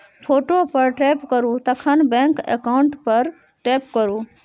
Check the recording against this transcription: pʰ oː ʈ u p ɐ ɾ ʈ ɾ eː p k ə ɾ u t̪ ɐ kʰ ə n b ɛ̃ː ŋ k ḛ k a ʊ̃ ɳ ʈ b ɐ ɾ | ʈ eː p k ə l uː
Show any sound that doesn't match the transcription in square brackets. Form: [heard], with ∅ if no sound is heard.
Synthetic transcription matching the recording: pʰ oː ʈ [o] p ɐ ɾ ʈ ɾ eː p k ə ɾ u t̪ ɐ kʰ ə n b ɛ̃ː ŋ k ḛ k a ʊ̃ ɳ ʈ [p] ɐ ɾ | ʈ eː p k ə [ɾ] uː